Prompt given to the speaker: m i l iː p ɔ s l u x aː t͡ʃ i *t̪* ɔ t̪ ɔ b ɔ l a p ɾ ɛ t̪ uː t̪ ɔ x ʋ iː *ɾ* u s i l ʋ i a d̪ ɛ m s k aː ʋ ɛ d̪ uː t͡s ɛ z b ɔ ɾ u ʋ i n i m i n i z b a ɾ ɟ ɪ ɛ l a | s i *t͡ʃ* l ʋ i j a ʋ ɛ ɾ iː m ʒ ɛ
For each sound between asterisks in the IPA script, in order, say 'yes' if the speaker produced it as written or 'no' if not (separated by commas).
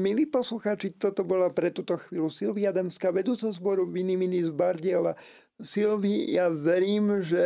yes, no, no